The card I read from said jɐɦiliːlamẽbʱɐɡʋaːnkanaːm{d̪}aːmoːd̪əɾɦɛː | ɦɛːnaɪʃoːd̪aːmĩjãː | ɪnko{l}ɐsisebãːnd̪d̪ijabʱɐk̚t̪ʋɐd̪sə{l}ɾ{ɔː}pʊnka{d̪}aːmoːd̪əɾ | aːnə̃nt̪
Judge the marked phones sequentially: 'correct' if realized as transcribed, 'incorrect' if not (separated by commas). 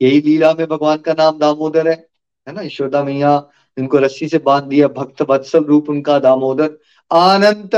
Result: correct, incorrect, correct, incorrect, correct